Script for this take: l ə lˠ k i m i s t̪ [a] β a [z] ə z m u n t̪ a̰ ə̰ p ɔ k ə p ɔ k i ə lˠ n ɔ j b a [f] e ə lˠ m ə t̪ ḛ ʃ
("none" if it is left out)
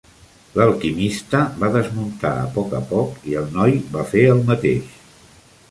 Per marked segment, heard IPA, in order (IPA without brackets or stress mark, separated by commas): ə, ð, f